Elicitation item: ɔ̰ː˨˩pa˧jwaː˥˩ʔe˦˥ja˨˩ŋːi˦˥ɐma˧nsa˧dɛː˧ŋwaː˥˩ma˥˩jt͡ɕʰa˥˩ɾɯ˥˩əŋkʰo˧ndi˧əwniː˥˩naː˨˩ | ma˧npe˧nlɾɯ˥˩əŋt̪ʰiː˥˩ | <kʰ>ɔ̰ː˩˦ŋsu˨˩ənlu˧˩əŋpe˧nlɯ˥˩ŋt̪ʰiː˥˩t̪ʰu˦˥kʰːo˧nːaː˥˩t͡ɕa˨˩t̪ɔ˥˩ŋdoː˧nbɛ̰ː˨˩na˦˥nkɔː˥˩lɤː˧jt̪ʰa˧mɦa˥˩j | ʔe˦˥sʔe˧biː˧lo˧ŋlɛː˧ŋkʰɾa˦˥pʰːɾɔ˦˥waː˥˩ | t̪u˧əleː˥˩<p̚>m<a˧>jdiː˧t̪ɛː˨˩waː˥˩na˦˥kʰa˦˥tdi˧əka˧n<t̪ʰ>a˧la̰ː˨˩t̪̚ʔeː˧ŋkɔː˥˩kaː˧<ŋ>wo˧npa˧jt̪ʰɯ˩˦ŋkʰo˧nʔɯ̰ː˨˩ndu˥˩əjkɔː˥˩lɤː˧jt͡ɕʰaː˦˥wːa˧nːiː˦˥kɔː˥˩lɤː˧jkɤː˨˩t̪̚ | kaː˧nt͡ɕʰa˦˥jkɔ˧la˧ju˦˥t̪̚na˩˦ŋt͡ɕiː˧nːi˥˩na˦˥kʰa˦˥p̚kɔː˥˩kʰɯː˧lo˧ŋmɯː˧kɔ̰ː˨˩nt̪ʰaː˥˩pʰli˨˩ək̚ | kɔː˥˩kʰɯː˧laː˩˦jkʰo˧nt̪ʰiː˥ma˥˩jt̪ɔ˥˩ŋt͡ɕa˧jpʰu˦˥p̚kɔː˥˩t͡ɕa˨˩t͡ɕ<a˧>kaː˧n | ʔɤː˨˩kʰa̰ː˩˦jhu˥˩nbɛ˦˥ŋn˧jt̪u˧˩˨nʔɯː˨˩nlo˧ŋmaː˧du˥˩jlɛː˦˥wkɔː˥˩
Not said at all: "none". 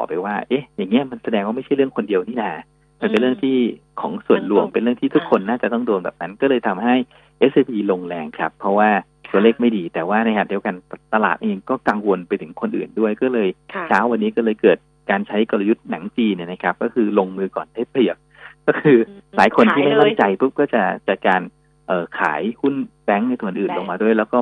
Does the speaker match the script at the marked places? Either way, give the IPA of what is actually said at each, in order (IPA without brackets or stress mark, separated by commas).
kʰ, k̚, a˥˩, t̪, ŋ, a˨˩